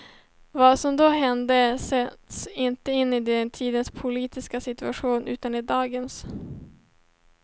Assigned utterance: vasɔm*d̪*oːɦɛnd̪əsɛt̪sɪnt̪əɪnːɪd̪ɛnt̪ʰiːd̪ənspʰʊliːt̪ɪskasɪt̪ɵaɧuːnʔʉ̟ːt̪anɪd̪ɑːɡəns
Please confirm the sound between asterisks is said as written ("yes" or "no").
yes